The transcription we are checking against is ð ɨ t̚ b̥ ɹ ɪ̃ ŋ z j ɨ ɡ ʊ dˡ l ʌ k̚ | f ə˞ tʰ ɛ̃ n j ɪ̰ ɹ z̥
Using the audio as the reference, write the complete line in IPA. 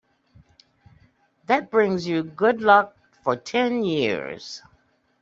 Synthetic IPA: ð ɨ t̚ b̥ ɹ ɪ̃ ŋ z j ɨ ɡ ʊ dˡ l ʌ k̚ | f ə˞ tʰ ɛ̃ n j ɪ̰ ɹ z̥